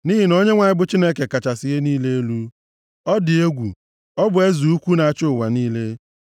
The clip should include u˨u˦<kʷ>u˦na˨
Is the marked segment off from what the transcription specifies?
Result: no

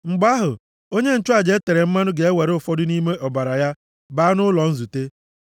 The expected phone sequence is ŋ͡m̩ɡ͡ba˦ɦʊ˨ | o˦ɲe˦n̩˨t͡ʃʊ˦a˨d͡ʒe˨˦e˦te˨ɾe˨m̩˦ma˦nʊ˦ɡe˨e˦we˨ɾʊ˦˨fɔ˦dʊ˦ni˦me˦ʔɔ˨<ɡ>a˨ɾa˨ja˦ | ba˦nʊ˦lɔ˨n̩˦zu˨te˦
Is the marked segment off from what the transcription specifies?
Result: yes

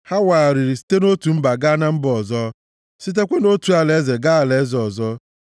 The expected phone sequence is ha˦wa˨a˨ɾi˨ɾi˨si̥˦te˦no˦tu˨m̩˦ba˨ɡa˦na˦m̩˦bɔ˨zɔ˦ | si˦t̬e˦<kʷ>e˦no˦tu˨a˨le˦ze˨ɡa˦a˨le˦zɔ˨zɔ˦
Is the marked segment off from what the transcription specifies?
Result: no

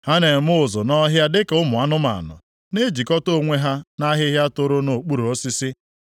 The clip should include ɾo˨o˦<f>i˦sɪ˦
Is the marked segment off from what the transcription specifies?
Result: yes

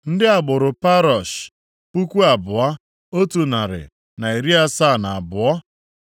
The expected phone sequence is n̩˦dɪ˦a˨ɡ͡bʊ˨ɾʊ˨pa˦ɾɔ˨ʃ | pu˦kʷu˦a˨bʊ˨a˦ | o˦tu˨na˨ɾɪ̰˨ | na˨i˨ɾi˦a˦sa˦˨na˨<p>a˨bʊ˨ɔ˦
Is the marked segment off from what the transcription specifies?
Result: yes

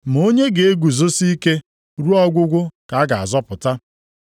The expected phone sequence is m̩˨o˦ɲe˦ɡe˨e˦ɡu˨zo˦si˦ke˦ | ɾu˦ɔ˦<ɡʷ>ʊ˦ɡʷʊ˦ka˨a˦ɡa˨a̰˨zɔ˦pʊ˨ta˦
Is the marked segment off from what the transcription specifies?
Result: no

